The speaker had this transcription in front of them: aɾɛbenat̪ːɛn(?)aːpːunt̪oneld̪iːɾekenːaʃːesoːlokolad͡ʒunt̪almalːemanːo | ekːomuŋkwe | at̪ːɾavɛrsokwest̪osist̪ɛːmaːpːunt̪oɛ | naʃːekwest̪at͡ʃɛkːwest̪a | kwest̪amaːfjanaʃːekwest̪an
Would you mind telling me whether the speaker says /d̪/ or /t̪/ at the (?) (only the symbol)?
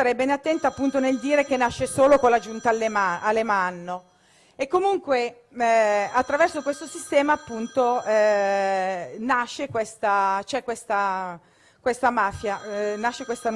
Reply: t̪